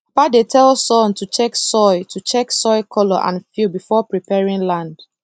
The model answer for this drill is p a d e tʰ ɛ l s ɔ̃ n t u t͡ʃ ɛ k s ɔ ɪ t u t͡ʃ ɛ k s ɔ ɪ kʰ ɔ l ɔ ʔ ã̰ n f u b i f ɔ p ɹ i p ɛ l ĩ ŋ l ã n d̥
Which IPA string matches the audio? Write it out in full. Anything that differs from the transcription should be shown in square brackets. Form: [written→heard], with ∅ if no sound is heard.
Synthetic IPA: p a d e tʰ ɛ l s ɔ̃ n t u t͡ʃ ɛ k s ɔ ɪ t u t͡ʃ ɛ k s ɔ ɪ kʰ ɔ l ɔ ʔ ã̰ n f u b i f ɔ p ɹ i p ɛ [l→ɹ] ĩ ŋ l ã n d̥